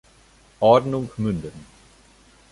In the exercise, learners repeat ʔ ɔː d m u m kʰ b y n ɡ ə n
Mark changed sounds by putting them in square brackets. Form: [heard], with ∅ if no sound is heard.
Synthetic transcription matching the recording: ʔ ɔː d [n] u [ŋ] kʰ [m] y n [d] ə n